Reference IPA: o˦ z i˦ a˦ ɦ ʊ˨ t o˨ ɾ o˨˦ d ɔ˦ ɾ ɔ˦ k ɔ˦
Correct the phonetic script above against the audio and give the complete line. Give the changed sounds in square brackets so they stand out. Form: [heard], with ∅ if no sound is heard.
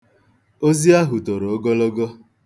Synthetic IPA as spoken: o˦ z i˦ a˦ ɦ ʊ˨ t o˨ ɾ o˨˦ [ɡ] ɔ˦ [l] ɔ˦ [ɡ] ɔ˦